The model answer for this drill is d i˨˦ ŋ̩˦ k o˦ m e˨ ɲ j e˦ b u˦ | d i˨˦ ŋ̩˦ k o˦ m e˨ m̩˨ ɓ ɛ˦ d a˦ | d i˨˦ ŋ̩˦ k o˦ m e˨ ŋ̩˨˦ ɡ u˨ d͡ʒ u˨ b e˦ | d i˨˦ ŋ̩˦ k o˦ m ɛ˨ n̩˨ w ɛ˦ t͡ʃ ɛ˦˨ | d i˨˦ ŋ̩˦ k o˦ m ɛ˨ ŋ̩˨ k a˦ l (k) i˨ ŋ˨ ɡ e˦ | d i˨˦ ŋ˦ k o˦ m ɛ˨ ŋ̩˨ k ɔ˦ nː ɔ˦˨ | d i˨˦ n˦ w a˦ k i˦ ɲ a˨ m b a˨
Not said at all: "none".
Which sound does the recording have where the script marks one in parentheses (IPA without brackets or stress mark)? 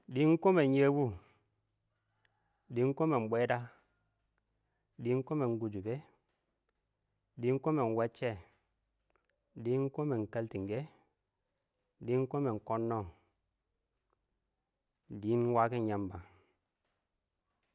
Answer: t